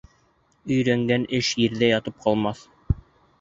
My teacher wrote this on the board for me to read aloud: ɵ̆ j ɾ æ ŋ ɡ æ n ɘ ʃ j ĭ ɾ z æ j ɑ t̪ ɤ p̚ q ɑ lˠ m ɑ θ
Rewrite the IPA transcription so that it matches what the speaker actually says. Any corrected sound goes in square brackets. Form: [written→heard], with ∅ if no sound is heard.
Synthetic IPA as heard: ɵ̆ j ɾ æ ŋ ɡ æ n ɘ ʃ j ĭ ɾ [z→ð] æ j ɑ t̪ ɤ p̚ q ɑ lˠ m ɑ θ

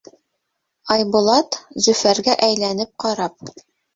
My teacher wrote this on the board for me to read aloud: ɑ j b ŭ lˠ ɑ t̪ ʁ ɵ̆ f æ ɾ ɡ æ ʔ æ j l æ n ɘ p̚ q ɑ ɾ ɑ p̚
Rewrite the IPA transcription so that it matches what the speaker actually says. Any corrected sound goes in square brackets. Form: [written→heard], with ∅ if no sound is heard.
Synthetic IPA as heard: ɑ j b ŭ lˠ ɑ t̪ [ʁ→z] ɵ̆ f æ ɾ ɡ æ ʔ æ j l æ n ɘ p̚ q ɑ ɾ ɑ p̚

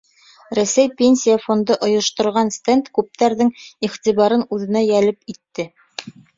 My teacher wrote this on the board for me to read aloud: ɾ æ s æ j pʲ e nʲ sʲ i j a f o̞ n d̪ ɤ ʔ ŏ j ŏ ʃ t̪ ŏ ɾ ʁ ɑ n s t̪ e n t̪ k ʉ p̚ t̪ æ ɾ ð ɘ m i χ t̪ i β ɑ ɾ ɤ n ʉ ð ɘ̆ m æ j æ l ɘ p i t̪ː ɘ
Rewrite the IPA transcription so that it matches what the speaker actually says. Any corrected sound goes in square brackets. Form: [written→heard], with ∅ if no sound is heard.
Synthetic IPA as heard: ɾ æ s æ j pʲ e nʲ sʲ i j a f o̞ n d̪ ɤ ʔ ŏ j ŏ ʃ t̪ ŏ ɾ ʁ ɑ n s t̪ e n t̪ k ʉ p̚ t̪ æ ɾ ð ɘ [m→ŋ] i χ t̪ i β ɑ ɾ ɤ n ʉ ð ɘ̆ [m→n] æ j æ l ɘ p i t̪ː ɘ

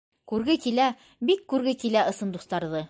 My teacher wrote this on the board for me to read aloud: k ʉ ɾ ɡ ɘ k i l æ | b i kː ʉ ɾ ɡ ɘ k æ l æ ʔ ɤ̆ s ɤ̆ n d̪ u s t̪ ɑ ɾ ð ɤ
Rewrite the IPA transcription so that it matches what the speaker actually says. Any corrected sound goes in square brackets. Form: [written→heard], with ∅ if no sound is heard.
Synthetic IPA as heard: k ʉ ɾ ɡ ɘ k i l æ | b i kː ʉ ɾ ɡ ɘ k [æ→i] l æ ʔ ɤ̆ s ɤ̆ n d̪ u s t̪ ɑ ɾ ð ɤ

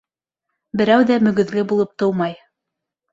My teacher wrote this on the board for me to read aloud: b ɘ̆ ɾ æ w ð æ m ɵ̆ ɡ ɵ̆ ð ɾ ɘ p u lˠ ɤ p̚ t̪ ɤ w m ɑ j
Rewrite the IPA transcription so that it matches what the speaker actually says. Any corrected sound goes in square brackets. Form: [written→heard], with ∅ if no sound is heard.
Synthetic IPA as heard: b ɘ̆ ɾ æ w ð æ m ɵ̆ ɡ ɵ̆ ð [ɾ→l] ɘ [p→b] u lˠ ɤ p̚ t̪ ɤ w m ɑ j

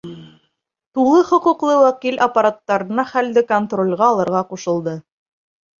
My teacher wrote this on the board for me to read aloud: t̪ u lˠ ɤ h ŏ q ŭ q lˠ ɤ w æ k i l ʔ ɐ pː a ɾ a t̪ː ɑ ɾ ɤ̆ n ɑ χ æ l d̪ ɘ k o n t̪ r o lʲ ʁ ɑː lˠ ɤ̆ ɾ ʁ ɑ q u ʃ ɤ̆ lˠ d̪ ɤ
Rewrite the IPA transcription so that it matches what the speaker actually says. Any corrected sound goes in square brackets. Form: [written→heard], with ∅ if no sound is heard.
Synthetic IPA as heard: t̪ u lˠ ɤ [h→χ] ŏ q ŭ q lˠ ɤ w æ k i l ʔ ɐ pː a ɾ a t̪ː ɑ ɾ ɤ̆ n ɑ χ æ l d̪ ɘ k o n t̪ r o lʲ ʁ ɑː lˠ ɤ̆ ɾ ʁ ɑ q u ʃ ɤ̆ lˠ d̪ ɤ

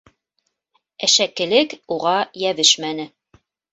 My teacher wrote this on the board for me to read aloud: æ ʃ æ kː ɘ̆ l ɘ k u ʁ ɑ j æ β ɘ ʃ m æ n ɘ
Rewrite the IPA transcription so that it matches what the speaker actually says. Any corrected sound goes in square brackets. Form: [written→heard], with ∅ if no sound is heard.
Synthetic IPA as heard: æ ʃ æ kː ɘ̆ l ɘ k u ʁ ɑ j æ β ɘ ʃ m æ n ɘ

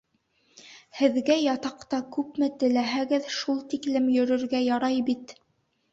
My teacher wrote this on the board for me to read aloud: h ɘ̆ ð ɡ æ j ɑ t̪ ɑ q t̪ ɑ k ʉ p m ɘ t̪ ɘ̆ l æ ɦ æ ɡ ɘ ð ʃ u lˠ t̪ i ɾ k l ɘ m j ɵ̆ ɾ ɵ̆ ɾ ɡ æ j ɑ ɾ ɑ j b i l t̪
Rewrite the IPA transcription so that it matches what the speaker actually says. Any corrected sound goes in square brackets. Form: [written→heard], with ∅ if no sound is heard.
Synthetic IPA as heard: h ɘ̆ ð ɡ æ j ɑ t̪ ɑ q t̪ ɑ k ʉ p m ɘ t̪ ɘ̆ l æ ɦ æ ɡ ɘ ð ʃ u lˠ t̪ i [ɾ→∅] k l ɘ m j ɵ̆ ɾ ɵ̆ ɾ ɡ æ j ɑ ɾ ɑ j b i [l→∅] t̪

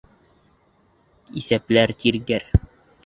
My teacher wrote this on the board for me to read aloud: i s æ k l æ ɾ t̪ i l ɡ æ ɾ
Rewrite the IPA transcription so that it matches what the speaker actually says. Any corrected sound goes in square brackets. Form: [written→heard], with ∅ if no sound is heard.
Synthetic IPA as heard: i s æ [k→p] l æ ɾ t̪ i [l→ɾ] ɡ æ ɾ

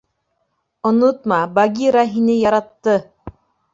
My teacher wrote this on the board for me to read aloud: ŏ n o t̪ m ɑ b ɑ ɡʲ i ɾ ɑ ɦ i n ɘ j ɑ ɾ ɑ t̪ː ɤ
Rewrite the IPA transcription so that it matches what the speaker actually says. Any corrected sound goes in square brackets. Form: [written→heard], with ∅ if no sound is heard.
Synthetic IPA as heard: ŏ n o t̪ m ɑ b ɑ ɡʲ i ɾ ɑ ɦ i n ɘ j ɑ ɾ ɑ t̪ː ɤ

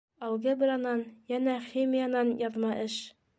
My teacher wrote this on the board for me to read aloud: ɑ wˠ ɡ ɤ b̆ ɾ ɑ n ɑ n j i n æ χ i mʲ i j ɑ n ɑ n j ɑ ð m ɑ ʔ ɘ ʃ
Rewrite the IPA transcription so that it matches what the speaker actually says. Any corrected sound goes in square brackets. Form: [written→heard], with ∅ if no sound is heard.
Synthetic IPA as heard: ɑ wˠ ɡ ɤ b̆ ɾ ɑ n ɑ n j [i→æ] n æ χ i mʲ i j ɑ n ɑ n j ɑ ð m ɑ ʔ ɘ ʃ

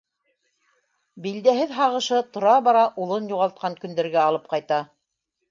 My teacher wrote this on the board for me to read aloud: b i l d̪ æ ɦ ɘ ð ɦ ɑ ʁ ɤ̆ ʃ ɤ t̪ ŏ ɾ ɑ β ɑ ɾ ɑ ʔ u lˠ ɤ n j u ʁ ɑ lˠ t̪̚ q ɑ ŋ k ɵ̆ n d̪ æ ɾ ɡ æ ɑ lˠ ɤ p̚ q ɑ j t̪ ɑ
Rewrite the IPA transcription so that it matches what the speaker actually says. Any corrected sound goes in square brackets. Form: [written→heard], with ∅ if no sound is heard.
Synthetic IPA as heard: b i l d̪ æ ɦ ɘ ð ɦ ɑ ʁ ɤ̆ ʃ ɤ t̪ ŏ ɾ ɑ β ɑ ɾ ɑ ʔ u lˠ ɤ n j u ʁ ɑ lˠ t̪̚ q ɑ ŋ k ɵ̆ n d̪ æ ɾ ɡ æ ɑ lˠ ɤ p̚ q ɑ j t̪ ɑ

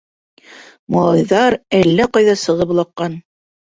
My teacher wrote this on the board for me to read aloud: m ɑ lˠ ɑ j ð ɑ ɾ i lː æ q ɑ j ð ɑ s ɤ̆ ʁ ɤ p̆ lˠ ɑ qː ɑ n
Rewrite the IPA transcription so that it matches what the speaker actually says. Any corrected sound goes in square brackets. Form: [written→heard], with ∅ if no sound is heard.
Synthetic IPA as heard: m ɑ lˠ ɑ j ð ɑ ɾ [i→æ] lː æ q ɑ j ð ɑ s ɤ̆ ʁ ɤ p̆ lˠ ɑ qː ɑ n

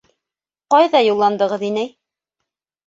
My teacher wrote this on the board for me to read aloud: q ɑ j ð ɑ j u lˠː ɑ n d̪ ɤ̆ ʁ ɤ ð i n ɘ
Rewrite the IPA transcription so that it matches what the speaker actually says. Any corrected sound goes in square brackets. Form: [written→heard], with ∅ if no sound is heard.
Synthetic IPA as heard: q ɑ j ð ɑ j u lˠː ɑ n d̪ ɤ̆ ʁ ɤ ð i n ɘ

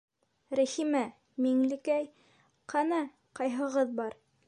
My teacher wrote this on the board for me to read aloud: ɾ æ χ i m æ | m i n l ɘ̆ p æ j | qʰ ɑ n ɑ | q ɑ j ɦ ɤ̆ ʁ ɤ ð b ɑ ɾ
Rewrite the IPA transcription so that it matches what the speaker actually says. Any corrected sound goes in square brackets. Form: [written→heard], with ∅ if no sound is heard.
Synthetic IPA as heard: ɾ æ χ i m æ | m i [n→ŋ] l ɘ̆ [p→k] æ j | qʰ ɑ n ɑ | q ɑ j ɦ ɤ̆ ʁ ɤ ð b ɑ ɾ

